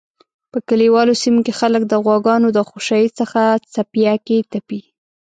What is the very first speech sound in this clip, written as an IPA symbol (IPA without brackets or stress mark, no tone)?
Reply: p